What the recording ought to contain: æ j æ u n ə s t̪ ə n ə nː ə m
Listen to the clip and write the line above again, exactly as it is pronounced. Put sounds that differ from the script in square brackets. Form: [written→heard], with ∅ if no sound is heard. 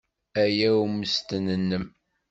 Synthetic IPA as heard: æ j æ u [n→m] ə s t̪ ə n ə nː ə m